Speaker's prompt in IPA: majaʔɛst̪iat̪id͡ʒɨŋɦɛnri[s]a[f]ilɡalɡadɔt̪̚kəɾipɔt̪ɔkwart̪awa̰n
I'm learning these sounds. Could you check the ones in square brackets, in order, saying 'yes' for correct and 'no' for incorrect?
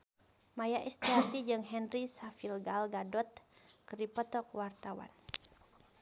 yes, yes

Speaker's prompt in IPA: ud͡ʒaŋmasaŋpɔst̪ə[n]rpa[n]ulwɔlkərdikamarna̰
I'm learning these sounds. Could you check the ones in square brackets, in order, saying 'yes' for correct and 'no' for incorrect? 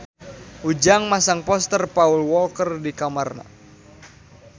no, no

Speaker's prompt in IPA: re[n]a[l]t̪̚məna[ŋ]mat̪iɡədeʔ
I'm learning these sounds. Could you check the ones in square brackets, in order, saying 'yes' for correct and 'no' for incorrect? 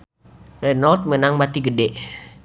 yes, yes, yes

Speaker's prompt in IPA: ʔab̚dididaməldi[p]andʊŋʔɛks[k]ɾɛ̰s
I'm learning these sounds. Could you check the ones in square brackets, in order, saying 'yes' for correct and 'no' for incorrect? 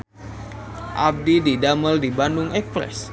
no, no

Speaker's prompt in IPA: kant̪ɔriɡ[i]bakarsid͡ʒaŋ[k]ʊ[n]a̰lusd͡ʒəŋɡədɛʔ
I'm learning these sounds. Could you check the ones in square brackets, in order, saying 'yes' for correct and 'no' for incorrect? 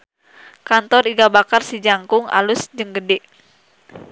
no, yes, no

